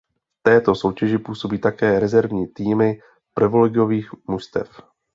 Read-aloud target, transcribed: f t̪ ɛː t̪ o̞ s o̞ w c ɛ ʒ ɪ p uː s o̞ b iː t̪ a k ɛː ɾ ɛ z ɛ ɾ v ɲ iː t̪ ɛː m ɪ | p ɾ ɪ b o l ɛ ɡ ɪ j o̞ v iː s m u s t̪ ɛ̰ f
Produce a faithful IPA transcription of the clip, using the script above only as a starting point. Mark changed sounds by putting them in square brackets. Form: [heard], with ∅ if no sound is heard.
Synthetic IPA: f t̪ ɛː t̪ o̞ s o̞ w c ɛ ʒ ɪ p uː s o̞ b iː t̪ a k ɛː ɾ ɛ z ɛ ɾ v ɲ iː t̪ [iː] m ɪ | p ɾ ɪ [v] o l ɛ ɡ ɪ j o̞ v iː [x] m u s t̪ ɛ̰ f

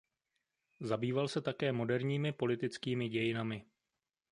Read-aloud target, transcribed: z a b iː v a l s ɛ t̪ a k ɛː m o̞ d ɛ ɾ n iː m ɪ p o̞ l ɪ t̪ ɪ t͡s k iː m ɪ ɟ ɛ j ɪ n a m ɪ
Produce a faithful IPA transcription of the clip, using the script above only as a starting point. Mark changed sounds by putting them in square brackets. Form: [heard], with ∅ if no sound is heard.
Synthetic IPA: z a b iː v a l s ɛ t̪ a k ɛː m o̞ d ɛ ɾ [ɲ] iː m ɪ p o̞ l ɪ t̪ ɪ t͡s k iː m ɪ ɟ ɛ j ɪ n a m ɪ

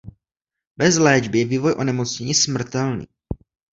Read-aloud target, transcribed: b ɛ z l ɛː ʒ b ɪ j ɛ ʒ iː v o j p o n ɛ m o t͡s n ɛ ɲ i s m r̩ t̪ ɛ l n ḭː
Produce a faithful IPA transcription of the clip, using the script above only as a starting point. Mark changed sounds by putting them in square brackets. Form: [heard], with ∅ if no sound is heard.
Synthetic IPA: b ɛ z l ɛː [d͡ʒ] b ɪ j ɛ [v] iː v o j [ʔ] o n ɛ m o t͡s [ɲ] ɛ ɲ i s m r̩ t̪ ɛ l n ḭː

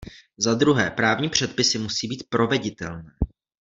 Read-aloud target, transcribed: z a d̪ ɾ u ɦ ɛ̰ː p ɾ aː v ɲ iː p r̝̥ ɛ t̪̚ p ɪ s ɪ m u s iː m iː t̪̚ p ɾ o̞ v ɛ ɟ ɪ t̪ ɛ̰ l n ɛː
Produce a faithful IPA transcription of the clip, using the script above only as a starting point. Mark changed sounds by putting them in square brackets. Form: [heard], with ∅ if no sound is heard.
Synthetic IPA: z a d̪ ɾ u ɦ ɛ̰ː p ɾ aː v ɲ iː p r̝̥ ɛ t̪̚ p ɪ s ɪ m u s iː [b] iː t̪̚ p ɾ o̞ v ɛ ɟ ɪ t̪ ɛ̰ l n ɛː

